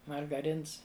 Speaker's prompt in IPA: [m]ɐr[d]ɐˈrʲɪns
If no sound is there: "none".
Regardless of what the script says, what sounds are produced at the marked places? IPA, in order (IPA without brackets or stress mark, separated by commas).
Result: m, ɡ